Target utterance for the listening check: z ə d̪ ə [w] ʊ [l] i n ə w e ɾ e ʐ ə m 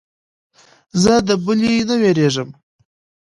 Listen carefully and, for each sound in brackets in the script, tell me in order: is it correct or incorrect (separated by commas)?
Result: incorrect, correct